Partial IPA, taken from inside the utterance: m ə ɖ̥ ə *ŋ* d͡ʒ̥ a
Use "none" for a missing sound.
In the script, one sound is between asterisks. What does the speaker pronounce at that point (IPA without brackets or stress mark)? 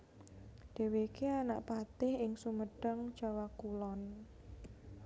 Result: ŋ